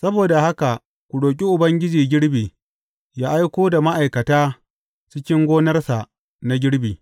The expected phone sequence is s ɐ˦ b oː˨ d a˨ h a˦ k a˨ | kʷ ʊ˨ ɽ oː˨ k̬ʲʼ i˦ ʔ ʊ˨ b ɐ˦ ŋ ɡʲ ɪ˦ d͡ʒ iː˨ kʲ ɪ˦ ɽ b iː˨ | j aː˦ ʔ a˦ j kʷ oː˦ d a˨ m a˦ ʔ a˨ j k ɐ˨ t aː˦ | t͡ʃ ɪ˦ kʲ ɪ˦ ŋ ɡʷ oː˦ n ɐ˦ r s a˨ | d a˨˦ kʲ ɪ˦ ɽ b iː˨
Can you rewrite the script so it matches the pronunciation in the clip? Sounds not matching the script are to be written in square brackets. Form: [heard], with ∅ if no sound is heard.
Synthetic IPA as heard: s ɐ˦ b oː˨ d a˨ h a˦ k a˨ | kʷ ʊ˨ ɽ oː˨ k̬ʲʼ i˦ ʔ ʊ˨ b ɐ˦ ŋ ɡʲ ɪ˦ d͡ʒ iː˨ [ɡʲ] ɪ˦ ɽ b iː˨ | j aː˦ ʔ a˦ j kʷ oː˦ d a˨ m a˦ ʔ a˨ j k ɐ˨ t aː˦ | t͡ʃ ɪ˦ kʲ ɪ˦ ŋ ɡʷ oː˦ n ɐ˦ r s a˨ | [n] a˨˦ [ɡʲ] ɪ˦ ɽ b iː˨